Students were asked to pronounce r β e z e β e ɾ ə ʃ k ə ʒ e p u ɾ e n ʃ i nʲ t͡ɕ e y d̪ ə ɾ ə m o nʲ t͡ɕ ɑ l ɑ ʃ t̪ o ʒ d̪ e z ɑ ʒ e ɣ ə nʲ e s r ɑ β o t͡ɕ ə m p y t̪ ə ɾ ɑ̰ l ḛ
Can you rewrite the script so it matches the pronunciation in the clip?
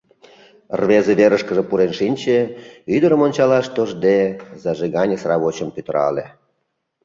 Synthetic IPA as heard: r β e z e β e ɾ ə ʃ k ə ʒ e p u ɾ e n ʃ i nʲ t͡ɕ e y d̪ ə ɾ ə m o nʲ t͡ɕ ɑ l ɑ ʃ t̪ o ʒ d̪ e z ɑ ʒ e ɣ ɑ nʲ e s r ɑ β o t͡ɕ ə m p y t̪ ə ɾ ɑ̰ l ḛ